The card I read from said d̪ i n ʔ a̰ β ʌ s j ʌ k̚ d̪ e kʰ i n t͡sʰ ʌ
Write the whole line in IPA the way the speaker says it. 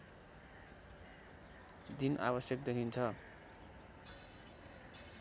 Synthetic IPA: d̪ i n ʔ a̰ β ʌ s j ʌ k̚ d̪ e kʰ i n t͡sʰ ʌ